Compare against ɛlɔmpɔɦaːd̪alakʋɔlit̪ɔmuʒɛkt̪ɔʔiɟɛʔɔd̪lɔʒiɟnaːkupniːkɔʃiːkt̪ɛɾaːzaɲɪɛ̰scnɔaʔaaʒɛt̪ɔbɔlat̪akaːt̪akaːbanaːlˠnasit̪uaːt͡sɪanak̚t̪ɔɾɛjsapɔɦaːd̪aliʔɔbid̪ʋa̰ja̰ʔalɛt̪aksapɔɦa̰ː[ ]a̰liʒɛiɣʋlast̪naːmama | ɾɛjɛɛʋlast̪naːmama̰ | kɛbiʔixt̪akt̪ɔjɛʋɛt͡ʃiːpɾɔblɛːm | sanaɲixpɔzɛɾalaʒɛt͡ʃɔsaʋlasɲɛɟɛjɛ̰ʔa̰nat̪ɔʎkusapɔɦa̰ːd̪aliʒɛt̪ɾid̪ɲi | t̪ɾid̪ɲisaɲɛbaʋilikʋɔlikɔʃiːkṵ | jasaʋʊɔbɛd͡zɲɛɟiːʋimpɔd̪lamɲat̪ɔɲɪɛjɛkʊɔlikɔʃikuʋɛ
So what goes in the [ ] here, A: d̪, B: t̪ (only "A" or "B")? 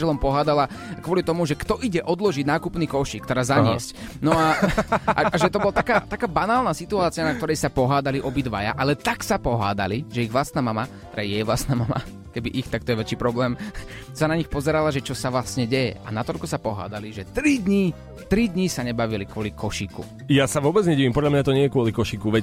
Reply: A